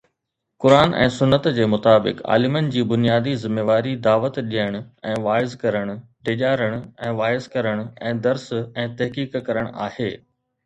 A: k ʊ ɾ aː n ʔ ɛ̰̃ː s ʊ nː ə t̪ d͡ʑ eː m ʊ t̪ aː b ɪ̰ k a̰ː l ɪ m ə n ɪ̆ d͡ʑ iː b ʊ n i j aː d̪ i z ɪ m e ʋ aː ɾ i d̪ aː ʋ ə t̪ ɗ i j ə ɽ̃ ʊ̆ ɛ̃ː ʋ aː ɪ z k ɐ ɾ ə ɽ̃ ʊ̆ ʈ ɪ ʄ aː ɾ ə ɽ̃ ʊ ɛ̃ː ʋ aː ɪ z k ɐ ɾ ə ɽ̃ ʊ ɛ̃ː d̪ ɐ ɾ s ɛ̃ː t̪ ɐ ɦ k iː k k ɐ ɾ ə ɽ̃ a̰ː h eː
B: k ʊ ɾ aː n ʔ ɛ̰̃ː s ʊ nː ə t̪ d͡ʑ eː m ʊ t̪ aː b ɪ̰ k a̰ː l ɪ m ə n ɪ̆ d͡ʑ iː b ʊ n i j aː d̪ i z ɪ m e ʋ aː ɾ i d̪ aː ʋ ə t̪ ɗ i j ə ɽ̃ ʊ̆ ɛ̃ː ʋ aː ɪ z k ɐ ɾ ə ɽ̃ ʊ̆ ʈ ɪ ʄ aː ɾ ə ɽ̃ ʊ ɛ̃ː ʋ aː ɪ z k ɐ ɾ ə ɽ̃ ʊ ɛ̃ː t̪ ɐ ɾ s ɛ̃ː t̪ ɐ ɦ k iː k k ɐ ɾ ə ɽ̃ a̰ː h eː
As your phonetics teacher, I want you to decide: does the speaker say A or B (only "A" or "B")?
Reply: A